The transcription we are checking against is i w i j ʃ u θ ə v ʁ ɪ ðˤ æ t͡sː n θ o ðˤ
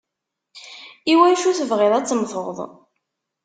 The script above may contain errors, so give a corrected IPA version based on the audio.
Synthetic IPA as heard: i w æ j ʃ u θ ə v ʁ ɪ ðˤ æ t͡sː m θ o ðˤ